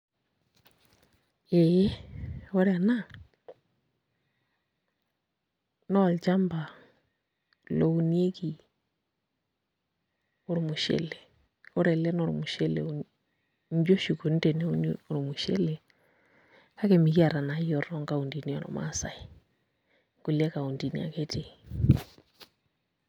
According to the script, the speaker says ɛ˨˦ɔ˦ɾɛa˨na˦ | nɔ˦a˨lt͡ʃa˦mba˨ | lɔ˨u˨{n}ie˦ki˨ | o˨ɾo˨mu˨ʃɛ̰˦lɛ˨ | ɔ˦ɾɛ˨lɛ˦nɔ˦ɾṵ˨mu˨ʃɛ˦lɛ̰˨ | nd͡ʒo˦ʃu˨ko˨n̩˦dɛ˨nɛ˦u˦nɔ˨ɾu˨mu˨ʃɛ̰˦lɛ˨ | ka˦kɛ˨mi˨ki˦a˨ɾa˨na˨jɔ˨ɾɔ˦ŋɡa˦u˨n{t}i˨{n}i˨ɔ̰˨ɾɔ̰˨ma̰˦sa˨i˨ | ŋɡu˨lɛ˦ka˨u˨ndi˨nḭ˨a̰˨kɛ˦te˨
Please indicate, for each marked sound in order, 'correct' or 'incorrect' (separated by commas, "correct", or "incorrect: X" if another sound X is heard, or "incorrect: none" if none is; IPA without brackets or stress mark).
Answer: correct, incorrect: d, correct